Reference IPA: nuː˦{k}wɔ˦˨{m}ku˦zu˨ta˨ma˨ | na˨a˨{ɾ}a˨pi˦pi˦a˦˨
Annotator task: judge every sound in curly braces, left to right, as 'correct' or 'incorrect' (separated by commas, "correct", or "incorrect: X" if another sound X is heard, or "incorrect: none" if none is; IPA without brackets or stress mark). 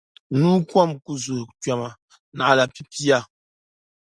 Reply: correct, correct, incorrect: l